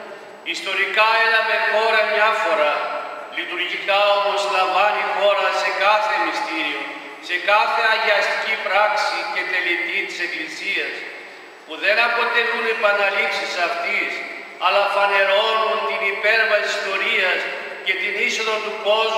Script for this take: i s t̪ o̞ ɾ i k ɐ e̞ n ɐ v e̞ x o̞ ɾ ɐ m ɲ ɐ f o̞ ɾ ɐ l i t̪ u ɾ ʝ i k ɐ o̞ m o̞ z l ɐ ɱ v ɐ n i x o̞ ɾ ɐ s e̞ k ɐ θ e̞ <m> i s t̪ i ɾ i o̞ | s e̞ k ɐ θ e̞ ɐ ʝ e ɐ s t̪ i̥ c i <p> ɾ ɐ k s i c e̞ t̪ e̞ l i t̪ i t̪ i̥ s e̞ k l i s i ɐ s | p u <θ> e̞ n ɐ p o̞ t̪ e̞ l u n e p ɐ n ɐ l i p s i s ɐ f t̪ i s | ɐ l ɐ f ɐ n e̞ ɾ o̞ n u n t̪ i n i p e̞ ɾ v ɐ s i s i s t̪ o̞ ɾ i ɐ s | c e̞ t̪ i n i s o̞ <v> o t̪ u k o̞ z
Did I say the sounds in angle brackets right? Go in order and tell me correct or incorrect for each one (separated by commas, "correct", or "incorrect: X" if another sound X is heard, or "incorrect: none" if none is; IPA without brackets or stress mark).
correct, correct, incorrect: ð, incorrect: ð